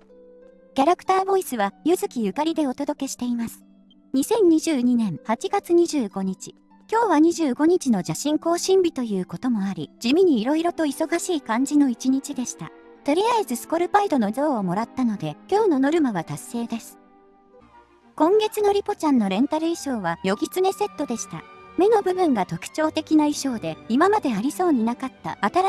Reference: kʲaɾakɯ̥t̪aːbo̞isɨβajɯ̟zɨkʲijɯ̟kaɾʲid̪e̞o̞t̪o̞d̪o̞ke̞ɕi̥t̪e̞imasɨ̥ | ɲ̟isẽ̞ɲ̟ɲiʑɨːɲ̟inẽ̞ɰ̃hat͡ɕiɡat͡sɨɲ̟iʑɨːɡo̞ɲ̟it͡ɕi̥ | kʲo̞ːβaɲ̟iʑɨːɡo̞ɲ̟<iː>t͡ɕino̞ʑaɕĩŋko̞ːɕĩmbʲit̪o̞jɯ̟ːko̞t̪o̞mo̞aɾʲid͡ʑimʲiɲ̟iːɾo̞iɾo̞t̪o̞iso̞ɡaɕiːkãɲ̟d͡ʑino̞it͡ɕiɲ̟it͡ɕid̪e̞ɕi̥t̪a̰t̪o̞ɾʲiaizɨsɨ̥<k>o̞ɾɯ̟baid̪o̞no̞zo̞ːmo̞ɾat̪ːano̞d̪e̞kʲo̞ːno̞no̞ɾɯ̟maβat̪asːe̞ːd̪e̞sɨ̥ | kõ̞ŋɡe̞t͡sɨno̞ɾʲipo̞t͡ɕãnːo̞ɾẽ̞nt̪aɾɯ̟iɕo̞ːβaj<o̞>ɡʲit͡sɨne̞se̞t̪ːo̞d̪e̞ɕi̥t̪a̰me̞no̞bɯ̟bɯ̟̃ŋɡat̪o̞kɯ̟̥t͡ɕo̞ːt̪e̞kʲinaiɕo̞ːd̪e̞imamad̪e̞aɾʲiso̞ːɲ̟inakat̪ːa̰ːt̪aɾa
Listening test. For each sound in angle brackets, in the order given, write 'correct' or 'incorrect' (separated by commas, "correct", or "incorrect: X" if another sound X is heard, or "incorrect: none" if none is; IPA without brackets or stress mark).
incorrect: i, correct, correct